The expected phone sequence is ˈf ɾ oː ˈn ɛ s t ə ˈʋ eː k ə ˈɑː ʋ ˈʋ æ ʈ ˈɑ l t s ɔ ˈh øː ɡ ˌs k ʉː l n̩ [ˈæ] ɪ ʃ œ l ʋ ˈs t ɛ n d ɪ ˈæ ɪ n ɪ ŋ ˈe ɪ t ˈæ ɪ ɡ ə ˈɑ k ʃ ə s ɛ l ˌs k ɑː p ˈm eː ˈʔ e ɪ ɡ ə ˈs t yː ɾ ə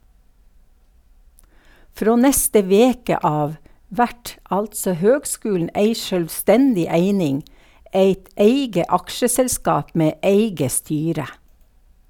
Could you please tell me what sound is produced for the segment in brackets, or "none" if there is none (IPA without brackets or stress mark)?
e